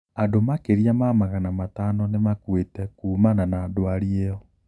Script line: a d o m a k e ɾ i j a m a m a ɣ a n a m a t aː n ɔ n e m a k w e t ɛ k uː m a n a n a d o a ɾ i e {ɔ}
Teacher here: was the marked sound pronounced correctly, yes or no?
yes